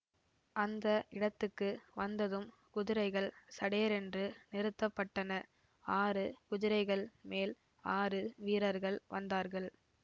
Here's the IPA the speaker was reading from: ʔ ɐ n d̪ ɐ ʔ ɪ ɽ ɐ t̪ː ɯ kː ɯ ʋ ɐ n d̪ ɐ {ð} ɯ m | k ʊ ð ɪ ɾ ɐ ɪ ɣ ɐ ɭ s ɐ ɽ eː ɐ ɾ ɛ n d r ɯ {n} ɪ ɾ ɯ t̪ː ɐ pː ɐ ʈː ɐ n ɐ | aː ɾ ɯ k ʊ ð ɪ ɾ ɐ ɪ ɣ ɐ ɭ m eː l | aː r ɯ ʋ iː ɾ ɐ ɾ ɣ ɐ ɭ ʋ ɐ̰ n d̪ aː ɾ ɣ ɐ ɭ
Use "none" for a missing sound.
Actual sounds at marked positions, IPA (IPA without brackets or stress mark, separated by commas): ð, n